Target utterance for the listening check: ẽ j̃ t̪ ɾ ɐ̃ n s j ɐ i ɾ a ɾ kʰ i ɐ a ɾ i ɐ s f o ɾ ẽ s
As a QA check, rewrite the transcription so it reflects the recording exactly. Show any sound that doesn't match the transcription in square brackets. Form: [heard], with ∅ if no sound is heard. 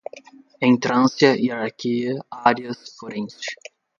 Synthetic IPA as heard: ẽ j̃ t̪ ɾ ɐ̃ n s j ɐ i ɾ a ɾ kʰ i ɐ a ɾ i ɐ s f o ɾ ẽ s